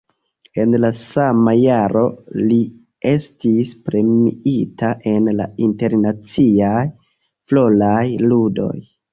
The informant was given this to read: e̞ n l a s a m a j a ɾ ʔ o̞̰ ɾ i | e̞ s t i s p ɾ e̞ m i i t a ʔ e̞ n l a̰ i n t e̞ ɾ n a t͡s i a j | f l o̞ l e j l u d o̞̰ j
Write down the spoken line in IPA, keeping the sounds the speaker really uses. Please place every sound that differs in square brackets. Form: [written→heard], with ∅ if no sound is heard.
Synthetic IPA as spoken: e̞ n l a s a m a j a ɾ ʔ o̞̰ [ɾ→l] i | e̞ s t i s p ɾ e̞ m i i t a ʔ e̞ n l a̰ i n t e̞ ɾ n a t͡s i a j | f l o̞ l [e→a] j l u d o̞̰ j